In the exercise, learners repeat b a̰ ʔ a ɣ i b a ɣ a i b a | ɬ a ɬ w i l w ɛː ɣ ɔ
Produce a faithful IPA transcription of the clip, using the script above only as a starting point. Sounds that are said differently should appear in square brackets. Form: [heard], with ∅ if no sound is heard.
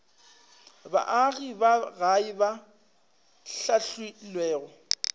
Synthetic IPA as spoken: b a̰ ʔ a ɣ i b a ɣ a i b a | ɬ a ɬ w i l w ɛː ɣ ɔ

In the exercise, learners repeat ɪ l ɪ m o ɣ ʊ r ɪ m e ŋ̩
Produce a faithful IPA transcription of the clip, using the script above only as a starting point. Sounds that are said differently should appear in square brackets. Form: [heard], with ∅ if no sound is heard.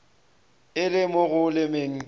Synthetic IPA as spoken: ɪ l ɪ m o ɣ ʊ [l] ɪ m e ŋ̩

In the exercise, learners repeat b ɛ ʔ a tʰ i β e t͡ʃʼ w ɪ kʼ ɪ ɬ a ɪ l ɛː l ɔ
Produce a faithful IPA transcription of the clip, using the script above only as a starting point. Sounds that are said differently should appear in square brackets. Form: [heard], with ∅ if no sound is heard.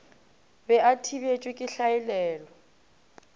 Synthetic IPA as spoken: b ɛ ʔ a tʰ i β e t͡ʃʼ w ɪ kʼ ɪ ɬ a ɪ l ɛː l ɔ

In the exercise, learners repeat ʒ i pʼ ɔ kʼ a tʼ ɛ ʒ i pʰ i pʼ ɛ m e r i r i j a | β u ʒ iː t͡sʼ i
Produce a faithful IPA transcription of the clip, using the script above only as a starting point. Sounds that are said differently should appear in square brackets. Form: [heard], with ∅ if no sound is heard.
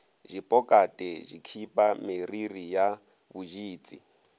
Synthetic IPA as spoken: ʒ i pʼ ɔ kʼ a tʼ ɛ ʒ i [kʰ] i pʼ [a] m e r i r i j a | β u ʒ iː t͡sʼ i

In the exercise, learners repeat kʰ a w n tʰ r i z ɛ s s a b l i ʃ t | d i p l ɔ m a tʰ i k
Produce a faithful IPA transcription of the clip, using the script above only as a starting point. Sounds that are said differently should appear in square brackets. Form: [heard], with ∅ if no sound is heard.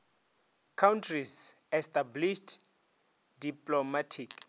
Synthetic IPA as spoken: kʰ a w n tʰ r i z ɛ s [t] a b l i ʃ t | d i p l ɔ m a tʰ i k

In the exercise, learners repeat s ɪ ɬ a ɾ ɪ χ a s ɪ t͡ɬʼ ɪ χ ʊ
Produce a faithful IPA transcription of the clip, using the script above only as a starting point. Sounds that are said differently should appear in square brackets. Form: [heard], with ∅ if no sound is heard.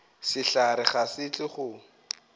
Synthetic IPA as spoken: s ɪ ɬ a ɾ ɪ χ a s ɪ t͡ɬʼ ɪ χ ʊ

